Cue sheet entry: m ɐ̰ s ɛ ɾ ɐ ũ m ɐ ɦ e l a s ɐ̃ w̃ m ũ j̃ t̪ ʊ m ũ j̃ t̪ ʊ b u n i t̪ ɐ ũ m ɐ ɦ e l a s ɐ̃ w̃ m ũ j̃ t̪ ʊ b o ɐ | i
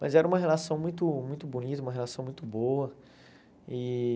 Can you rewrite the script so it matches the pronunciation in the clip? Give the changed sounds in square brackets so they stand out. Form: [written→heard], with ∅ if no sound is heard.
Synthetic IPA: m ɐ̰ [s→z] ɛ ɾ ɐ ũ m ɐ ɦ e l a s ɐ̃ w̃ m ũ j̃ t̪ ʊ m ũ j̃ t̪ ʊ b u n i t̪ ɐ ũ m ɐ ɦ e l a s ɐ̃ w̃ m ũ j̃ t̪ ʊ b o ɐ | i